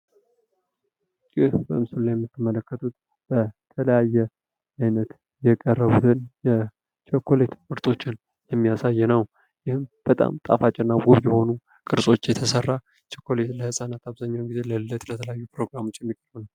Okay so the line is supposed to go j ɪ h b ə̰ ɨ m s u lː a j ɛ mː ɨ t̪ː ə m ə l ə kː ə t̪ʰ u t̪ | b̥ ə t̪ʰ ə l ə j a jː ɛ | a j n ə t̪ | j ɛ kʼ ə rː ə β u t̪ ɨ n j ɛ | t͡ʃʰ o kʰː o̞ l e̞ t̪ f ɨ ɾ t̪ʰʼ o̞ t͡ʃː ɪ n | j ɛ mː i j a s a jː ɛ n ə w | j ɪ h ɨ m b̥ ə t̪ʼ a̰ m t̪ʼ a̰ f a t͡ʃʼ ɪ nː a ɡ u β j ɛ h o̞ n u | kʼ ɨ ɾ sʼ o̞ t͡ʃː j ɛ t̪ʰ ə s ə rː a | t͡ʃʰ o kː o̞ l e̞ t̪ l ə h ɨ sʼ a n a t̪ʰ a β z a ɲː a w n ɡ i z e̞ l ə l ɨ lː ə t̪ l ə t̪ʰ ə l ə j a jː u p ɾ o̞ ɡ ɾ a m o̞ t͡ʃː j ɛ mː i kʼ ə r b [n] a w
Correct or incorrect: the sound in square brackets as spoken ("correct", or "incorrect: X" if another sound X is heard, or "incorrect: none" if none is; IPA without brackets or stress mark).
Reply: correct